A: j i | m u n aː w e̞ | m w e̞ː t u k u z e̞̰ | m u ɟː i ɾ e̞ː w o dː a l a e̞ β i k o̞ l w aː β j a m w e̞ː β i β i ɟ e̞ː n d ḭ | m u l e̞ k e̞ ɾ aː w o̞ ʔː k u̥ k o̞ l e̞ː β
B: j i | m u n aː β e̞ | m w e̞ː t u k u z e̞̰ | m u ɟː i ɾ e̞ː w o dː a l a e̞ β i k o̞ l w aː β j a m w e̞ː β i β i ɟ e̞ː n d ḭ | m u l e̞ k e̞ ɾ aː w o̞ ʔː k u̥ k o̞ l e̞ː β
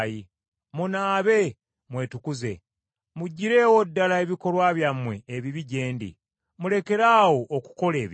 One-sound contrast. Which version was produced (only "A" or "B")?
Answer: B